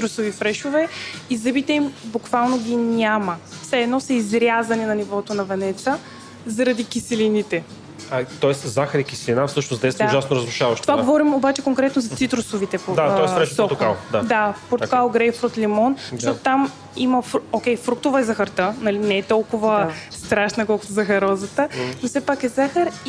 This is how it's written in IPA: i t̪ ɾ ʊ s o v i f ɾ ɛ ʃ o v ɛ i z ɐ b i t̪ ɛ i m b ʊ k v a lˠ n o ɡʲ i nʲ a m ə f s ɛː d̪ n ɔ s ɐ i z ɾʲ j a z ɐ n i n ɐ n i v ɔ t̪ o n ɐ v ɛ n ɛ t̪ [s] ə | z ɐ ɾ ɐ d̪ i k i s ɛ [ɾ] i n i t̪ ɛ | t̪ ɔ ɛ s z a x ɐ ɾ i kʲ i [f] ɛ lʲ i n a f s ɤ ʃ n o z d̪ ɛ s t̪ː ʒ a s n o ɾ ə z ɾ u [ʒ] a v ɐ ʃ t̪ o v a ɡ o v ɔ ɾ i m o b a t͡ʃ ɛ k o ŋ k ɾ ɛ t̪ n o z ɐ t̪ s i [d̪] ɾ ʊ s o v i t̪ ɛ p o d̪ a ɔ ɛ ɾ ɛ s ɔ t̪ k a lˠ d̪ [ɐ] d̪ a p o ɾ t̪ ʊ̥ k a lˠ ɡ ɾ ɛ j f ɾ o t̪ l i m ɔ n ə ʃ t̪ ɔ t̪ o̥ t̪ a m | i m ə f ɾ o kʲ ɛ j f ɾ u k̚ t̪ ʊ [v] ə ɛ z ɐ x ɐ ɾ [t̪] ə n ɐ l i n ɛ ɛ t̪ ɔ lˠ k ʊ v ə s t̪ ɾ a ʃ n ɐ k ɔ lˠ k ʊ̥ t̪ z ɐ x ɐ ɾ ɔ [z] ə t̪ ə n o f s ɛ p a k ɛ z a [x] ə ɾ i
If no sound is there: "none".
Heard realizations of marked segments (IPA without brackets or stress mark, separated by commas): s, l, s, ʃ, t̪, a, v, t̪, z, x